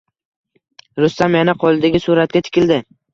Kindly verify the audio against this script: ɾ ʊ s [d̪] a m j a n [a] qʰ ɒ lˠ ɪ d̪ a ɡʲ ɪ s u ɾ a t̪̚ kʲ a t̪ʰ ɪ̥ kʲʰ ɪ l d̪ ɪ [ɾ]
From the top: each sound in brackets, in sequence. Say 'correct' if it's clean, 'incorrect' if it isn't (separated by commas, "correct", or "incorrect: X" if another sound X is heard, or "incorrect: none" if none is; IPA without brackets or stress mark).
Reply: incorrect: t̪, correct, incorrect: none